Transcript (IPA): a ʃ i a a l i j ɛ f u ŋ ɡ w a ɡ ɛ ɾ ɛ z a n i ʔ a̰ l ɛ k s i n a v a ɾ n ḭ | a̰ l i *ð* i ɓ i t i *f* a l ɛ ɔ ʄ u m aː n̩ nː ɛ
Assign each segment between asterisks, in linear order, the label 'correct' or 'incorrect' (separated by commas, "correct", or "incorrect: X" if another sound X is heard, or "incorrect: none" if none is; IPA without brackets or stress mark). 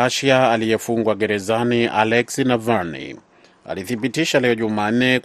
incorrect: θ, incorrect: ʃ